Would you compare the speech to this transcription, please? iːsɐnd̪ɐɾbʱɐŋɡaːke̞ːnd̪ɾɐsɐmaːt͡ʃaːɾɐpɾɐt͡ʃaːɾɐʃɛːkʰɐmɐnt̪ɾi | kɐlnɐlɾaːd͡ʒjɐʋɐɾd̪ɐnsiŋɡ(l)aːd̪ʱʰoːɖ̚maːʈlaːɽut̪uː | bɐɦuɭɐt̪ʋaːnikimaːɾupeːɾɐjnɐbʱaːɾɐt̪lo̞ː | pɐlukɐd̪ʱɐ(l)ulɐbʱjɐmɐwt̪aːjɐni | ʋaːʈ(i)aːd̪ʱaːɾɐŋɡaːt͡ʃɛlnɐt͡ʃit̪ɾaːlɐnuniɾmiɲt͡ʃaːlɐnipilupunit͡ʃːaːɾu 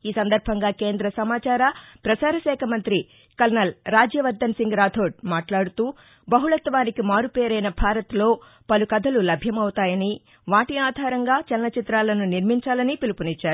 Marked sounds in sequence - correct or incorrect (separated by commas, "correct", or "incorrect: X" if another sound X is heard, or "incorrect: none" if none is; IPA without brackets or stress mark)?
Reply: incorrect: ɾ, correct, correct